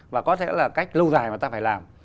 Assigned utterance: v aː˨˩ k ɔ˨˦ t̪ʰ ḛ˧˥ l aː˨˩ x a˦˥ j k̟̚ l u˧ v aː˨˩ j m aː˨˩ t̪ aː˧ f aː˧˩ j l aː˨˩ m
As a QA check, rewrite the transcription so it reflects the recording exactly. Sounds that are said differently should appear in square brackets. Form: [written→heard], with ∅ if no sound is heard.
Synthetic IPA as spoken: v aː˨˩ k ɔ˨˦ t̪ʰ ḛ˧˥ l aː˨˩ [x→k] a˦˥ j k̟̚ l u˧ [v→z] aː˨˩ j m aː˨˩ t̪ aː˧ f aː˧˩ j l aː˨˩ m